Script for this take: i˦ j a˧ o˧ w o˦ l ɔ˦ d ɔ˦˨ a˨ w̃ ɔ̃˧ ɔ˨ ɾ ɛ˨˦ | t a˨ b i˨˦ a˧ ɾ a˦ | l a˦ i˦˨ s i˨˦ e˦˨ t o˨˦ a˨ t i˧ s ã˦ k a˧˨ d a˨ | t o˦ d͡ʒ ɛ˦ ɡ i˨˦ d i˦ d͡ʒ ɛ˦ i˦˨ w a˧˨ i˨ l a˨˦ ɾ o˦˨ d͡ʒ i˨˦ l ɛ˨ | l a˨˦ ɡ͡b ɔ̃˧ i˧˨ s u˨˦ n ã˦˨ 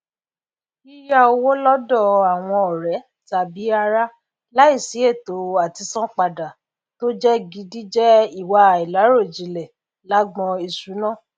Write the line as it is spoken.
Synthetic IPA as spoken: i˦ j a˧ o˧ w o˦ l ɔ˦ d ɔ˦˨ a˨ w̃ ɔ̃˧ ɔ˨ ɾ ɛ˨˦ | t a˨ b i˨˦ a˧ ɾ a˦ | l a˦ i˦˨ s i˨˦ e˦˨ t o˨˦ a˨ t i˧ s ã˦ k͡p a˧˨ d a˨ | t o˦ d͡ʒ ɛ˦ ɡ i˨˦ d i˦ d͡ʒ ɛ˦ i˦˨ w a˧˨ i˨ l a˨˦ ɾ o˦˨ d͡ʒ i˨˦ l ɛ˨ | l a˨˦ ɡ͡b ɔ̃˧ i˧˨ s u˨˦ n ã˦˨